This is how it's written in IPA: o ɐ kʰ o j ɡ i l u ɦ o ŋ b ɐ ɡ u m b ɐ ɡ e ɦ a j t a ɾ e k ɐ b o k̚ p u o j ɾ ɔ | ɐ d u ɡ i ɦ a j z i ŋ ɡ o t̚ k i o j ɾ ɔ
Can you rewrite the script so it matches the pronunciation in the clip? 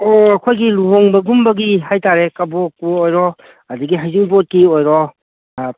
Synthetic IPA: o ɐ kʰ o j ɡ i l u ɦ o ŋ b ɐ ɡ u m b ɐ ɡ i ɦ a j t a ɾ e k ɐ b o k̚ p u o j ɾ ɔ | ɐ d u ɡ i ɦ a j z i ŋ b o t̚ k i o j ɾ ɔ